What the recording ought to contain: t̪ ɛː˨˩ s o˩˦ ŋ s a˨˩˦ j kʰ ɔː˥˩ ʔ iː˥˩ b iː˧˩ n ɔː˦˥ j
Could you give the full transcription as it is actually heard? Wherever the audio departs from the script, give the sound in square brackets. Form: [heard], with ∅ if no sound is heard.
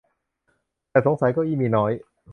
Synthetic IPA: t̪ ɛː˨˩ s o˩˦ ŋ s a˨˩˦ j [k] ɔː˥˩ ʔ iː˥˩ [m] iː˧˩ n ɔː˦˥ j